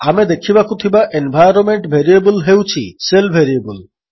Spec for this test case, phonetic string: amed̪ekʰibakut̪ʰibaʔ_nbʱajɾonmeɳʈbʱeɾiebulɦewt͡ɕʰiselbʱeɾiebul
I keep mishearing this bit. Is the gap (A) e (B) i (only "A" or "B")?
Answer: A